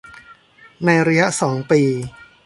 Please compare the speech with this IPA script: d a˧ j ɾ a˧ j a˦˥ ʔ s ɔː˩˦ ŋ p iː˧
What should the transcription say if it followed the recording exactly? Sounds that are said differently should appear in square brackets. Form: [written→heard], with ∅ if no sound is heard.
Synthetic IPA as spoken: [d→n] a˧ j ɾ a˧ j a˦˥ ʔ s ɔː˩˦ ŋ p iː˧